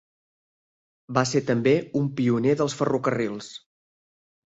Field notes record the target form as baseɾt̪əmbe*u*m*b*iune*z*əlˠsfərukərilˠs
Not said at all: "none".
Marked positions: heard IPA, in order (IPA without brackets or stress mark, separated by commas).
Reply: u, p, ð